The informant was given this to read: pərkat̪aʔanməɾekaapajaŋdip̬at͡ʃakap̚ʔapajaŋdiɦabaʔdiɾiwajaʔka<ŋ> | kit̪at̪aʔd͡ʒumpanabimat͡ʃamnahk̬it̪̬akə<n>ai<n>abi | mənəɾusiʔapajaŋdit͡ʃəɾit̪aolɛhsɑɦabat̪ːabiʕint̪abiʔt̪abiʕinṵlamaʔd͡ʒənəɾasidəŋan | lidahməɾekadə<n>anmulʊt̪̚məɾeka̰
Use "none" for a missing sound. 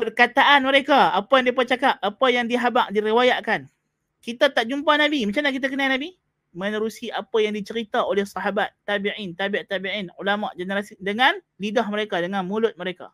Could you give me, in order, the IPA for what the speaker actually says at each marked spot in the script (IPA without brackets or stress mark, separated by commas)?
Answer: n, n, n, ŋ